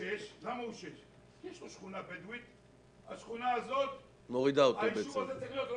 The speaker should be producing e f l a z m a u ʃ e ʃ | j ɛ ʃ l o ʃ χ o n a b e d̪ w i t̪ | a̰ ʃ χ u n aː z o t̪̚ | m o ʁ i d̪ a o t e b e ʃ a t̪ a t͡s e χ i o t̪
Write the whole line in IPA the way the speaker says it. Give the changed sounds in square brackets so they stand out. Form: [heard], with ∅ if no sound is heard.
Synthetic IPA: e [ʃ] l a [∅] m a u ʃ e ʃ | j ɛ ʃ l o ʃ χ [u] n a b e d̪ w i t̪ | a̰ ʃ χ u n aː z o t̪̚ | m o ʁ i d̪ a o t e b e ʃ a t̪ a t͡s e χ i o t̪

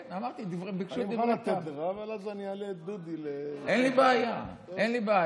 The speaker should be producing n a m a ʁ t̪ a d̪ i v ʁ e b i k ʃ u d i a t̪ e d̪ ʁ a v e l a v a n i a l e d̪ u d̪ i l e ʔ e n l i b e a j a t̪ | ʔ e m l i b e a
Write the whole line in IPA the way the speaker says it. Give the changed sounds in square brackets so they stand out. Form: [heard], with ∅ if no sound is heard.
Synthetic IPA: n a m a ʁ t̪ [i] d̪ i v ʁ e b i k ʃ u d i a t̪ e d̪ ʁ a v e l a [z] a n i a l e d̪ u d̪ i l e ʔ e n l i b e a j a [∅] | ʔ e [n] l i b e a

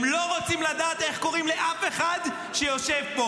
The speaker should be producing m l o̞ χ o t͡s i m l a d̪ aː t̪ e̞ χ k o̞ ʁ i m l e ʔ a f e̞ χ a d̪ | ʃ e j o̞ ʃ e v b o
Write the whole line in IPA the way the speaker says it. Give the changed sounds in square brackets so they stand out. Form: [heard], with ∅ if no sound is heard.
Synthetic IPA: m l o̞ [ʁ] o t͡s i m l a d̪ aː t̪ e̞ χ k o̞ ʁ i m l e ʔ a f e̞ χ a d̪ | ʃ e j o̞ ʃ e v b o

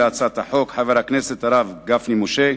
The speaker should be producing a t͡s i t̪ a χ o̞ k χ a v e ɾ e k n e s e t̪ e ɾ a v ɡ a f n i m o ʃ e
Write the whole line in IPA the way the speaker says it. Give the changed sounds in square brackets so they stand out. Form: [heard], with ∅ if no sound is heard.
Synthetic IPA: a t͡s [a] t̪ a [ħ] o̞ k [ħ] a v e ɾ [a] k n e s e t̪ [a] ɾ a v ɡ a f n i m o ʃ e

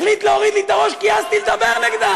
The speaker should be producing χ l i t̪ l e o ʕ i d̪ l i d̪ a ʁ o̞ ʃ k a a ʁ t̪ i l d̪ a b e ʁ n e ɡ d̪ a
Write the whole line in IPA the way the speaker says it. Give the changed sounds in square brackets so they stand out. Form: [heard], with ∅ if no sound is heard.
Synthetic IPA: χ l i t̪ l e o [ʁ] i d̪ l i [t̪] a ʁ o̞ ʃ k [i] a [z] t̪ i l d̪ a b e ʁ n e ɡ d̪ a

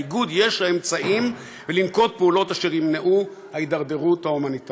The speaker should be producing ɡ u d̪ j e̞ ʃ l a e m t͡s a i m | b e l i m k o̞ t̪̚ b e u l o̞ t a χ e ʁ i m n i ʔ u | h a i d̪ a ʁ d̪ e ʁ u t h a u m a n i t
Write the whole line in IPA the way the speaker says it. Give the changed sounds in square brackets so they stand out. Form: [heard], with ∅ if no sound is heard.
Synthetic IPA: ɡ u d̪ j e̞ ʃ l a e m t͡s a i m | [v] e l i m k o̞ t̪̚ [p] e u l o̞ t a [ʃ] e ʁ i m n [e] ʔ u | h a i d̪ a ʁ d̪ e ʁ u t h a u m a n i t

